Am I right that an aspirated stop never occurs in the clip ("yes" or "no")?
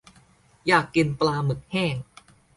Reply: yes